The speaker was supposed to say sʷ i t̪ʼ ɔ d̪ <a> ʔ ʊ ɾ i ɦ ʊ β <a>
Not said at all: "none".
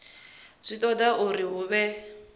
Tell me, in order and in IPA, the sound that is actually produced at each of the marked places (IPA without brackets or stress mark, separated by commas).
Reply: a, ɛ